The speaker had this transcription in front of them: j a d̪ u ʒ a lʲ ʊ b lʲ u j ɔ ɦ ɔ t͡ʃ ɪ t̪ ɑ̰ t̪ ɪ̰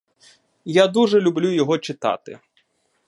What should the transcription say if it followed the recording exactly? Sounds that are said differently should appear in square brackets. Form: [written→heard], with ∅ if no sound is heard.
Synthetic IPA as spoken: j a d̪ u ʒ [a→ɛ] lʲ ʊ b lʲ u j ɔ ɦ ɔ t͡ʃ ɪ t̪ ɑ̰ t̪ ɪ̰